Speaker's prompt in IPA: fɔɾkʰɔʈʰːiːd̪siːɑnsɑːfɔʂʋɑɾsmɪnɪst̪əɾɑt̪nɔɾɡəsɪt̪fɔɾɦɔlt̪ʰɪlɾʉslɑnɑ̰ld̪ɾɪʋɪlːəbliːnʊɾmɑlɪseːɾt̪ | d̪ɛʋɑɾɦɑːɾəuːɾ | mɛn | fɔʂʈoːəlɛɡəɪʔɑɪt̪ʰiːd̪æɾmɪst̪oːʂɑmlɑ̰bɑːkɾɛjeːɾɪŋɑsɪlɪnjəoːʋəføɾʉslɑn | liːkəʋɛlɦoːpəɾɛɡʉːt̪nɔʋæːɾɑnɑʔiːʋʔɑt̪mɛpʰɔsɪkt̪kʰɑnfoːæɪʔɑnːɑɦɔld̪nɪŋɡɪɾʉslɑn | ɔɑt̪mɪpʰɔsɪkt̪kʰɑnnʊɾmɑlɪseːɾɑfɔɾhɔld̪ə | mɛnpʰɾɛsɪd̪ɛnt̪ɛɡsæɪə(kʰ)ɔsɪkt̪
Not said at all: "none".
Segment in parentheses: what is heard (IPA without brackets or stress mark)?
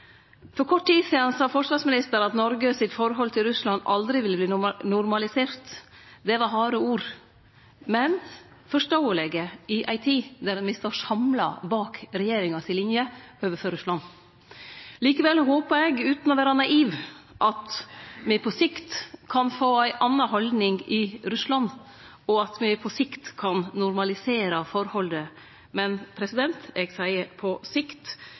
pʰ